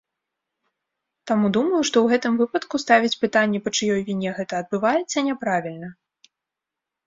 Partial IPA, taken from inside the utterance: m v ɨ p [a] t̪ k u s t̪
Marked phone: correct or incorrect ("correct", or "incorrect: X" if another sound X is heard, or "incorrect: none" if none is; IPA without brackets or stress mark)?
incorrect: ɐ